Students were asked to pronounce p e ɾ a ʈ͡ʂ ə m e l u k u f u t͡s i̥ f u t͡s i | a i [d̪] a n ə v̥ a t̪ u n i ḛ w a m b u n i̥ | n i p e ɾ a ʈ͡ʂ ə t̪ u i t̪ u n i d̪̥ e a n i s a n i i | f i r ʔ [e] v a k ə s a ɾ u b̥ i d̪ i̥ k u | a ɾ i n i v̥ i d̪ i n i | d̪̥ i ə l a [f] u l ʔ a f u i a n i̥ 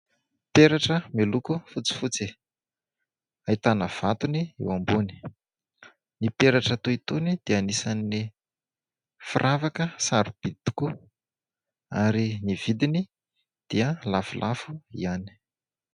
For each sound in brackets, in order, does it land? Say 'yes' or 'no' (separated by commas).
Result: no, no, yes